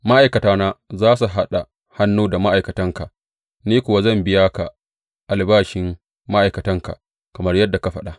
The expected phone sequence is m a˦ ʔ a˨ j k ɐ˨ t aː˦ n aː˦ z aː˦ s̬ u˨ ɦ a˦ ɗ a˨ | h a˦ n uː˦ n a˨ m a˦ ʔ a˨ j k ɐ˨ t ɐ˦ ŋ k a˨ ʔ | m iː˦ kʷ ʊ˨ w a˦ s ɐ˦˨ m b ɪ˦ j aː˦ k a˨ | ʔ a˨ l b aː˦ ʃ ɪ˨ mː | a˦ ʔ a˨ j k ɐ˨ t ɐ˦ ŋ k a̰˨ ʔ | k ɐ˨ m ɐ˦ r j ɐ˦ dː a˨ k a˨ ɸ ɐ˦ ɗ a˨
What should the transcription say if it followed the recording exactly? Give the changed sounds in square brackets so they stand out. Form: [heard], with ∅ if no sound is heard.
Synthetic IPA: m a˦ ʔ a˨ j k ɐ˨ t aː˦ n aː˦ z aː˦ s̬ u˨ ɦ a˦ ɗ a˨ | h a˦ [nː] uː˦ [d] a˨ m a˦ ʔ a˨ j k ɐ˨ t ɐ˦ ŋ k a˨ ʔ | [n] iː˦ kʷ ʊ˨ w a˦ [z] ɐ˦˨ m b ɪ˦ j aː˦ k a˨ | ʔ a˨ l b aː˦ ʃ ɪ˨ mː | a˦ ʔ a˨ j k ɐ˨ t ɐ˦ ŋ k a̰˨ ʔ | k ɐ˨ m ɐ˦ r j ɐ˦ dː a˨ k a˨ ɸ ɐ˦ ɗ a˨